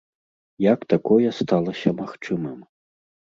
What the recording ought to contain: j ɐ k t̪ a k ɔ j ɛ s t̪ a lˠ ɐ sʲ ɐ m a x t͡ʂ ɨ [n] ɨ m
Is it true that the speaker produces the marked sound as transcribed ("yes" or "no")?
no